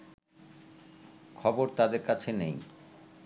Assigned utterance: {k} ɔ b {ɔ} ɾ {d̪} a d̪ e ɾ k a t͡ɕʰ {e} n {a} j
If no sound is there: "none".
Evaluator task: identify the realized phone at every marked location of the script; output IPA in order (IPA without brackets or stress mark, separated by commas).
kʰ, o, t̪, e, e